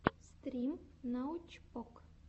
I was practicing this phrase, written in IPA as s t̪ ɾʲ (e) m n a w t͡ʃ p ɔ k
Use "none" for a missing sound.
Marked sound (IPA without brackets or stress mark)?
i